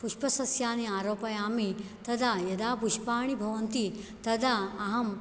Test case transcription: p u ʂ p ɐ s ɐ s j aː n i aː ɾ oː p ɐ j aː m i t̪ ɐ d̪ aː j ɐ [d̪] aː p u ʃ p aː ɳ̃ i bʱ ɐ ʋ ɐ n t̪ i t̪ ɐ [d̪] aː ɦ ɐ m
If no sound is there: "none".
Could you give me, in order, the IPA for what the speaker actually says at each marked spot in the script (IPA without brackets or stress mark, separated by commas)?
d̪, d̪